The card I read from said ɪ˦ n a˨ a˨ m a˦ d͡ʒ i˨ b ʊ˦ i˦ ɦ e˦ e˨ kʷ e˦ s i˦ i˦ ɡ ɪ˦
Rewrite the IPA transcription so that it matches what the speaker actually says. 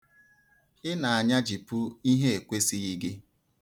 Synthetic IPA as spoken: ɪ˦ n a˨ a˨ ɲ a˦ d͡ʒ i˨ p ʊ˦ i˦ ɦ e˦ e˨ kʷ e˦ s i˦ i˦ ɡ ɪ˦